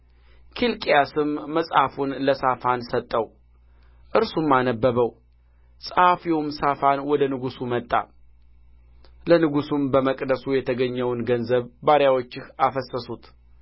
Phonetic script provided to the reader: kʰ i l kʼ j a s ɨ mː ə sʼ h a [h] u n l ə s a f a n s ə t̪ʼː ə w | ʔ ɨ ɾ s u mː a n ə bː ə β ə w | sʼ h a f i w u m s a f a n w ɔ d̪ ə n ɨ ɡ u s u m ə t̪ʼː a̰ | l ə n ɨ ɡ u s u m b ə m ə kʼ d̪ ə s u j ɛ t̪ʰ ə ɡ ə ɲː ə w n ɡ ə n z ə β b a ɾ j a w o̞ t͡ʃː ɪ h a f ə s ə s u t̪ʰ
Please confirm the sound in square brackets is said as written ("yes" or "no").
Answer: no